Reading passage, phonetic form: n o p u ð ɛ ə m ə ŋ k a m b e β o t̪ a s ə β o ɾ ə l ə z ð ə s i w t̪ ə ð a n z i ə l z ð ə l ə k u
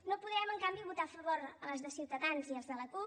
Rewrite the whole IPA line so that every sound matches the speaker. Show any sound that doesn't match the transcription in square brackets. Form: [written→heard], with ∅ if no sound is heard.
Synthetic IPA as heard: n o p u ð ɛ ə m ə ŋ k a m b [e→i] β [o→u] t̪ a [s→f] ə β o ɾ ə l ə z ð ə s i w t̪ ə ð a n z i ə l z ð ə l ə k u